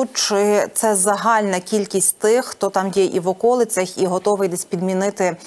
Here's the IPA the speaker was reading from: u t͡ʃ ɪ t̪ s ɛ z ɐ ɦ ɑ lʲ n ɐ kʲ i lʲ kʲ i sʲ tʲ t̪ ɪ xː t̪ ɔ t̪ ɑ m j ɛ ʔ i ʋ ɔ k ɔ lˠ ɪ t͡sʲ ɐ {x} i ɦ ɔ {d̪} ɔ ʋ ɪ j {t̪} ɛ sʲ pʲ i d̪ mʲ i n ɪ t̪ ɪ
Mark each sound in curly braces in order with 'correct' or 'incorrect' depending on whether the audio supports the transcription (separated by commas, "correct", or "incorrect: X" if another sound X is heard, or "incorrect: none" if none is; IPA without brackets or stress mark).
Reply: correct, incorrect: t̪, incorrect: d̪